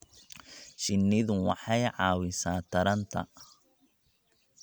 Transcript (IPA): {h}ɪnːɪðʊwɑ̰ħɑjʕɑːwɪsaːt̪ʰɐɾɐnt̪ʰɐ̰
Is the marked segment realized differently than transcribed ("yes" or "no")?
yes